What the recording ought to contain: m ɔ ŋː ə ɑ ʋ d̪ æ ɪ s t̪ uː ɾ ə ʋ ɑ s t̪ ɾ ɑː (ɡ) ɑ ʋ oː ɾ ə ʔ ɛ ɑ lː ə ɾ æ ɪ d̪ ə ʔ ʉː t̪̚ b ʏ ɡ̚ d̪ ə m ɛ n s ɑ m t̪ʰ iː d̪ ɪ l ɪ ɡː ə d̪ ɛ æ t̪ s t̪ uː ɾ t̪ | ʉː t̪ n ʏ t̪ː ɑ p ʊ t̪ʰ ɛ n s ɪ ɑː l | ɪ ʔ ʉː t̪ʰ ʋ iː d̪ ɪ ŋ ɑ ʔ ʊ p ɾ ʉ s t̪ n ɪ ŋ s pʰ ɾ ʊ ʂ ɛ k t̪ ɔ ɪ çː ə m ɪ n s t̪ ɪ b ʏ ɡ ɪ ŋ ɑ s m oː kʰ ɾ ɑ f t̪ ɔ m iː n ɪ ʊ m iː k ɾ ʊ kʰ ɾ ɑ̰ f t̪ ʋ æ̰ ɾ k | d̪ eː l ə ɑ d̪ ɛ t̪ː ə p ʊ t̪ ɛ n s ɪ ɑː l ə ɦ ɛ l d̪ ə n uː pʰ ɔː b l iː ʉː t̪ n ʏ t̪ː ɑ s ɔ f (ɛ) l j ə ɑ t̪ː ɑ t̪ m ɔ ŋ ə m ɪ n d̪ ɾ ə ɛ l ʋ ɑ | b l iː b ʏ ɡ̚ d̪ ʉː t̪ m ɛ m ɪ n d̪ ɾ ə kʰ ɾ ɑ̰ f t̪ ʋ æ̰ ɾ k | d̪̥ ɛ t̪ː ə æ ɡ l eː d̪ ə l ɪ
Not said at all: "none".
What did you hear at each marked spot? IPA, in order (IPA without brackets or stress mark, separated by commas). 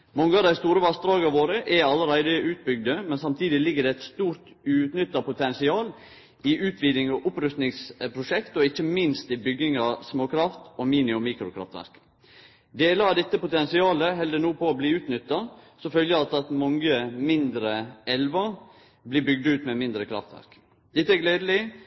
ɡ, œ